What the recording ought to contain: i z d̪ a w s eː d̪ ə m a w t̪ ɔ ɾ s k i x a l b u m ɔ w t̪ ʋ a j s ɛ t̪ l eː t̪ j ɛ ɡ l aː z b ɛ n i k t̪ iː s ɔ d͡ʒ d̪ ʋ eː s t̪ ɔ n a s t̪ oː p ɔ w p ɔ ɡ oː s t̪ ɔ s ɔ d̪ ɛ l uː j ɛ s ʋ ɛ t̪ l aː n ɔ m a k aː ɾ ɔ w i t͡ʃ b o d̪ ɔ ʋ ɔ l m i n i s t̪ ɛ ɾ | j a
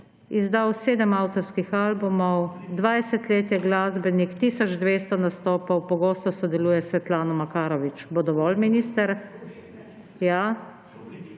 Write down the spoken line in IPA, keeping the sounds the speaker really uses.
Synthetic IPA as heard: i z d̪ a w s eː d̪ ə m a w t̪ ɔ ɾ s k i x a l b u m ɔ w d̪ ʋ a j s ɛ t̪ l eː t̪ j ɛ ɡ l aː z b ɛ n i k t̪ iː s ɔ d͡ʒ d̪ ʋ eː s t̪ ɔ n a s t̪ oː p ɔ w p ɔ ɡ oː s t̪ ɔ s ɔ d̪ ɛ l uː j ɛ s ʋ ɛ t̪ l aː n ɔ m a k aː ɾ ɔ ʋ i t͡ʃ b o d̪ ɔ ʋ ɔ l m i n i s t̪ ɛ ɾ | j a